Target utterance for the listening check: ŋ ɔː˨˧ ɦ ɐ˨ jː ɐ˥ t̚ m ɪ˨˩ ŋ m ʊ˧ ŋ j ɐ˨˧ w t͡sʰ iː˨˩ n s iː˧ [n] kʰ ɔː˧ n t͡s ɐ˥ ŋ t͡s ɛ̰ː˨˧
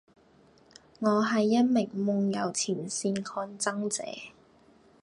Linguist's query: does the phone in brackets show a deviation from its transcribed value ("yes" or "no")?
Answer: no